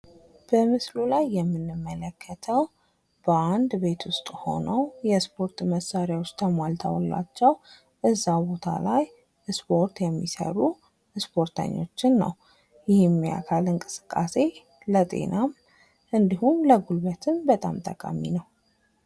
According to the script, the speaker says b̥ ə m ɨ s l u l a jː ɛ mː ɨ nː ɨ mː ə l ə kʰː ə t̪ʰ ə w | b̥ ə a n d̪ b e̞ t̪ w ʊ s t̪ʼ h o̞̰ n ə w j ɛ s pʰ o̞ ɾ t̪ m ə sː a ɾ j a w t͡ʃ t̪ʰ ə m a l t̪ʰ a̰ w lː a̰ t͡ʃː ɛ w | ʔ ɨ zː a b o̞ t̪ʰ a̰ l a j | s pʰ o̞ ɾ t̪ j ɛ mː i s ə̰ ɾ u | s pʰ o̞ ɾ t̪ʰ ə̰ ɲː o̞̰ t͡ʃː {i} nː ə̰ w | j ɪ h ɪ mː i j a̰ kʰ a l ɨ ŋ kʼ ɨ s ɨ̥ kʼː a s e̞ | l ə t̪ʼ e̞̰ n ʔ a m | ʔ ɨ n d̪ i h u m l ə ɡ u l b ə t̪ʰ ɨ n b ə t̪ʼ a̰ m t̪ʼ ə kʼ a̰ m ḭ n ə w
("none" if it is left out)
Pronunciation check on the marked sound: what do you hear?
ɪ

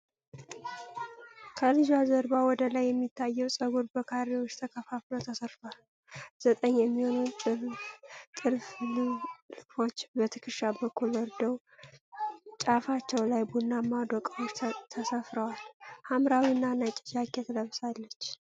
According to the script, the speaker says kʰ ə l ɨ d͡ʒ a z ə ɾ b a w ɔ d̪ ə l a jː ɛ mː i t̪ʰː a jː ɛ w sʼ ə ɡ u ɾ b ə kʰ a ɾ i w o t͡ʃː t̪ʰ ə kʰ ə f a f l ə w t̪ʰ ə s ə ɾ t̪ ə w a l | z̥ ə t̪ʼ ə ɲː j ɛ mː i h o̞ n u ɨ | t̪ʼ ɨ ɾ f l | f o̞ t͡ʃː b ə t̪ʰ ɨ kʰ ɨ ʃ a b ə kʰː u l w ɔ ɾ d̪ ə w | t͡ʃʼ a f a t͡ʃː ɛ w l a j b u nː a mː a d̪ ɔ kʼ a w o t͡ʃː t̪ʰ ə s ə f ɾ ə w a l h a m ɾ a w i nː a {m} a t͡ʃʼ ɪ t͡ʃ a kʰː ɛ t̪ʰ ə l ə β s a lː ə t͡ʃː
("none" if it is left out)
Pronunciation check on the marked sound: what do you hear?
n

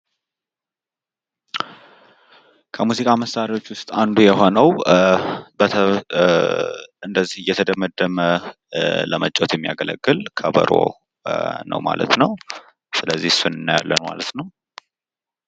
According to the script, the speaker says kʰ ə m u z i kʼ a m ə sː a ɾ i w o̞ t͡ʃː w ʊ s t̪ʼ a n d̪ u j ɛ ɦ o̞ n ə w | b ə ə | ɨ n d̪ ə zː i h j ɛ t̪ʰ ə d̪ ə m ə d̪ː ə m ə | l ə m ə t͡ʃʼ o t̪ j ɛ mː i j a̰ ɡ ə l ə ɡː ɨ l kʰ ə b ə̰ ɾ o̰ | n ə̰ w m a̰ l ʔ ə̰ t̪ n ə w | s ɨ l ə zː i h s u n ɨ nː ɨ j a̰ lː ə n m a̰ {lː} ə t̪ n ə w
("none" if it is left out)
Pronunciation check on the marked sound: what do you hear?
l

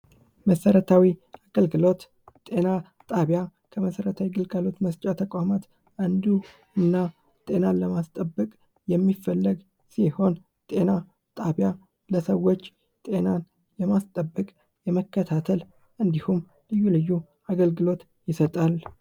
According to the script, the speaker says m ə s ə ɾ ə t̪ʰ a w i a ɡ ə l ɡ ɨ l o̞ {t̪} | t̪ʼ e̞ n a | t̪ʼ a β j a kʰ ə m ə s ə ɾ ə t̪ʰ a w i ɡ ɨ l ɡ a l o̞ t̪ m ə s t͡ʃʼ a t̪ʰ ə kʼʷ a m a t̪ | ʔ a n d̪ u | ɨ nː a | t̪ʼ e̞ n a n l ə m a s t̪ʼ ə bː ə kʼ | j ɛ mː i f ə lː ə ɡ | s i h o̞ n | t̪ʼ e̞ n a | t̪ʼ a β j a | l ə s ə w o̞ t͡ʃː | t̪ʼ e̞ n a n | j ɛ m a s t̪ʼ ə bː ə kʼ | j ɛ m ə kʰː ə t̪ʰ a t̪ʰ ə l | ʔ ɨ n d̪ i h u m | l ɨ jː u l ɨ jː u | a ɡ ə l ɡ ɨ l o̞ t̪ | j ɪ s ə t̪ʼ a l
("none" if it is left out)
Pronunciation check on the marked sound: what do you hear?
t̪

